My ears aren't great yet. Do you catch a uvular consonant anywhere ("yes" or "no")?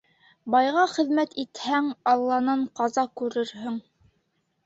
yes